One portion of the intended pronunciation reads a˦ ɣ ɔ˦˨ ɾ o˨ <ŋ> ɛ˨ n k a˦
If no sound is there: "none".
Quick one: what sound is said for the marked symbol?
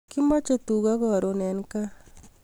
n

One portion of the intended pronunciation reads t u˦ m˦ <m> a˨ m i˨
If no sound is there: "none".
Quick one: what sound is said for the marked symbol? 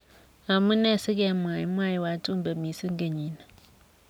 b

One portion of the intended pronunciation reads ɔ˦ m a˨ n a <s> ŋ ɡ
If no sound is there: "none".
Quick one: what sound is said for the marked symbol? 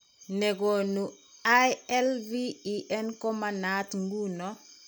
t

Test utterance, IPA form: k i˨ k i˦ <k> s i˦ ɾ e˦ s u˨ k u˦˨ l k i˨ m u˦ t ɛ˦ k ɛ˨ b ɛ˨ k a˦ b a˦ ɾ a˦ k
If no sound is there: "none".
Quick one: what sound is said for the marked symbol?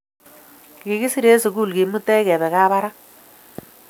none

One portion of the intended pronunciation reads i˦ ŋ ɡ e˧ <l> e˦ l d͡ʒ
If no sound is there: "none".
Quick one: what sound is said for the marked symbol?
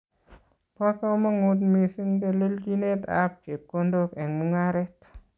l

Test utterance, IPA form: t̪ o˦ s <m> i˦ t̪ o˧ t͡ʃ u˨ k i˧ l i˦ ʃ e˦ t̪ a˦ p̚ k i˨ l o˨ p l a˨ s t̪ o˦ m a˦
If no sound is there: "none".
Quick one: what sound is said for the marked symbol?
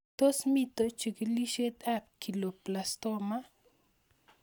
m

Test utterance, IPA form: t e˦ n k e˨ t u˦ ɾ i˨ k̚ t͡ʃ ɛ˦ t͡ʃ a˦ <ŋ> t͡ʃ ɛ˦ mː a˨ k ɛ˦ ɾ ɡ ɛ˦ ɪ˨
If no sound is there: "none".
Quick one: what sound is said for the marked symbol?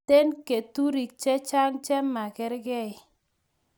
ŋ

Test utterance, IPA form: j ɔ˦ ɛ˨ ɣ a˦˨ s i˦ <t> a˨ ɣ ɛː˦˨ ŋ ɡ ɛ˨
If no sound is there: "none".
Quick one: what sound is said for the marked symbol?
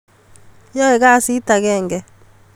t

